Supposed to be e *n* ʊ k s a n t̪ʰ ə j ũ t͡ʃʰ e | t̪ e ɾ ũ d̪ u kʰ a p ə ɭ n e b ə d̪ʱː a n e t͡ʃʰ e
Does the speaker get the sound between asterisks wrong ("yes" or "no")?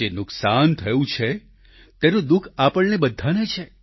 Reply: no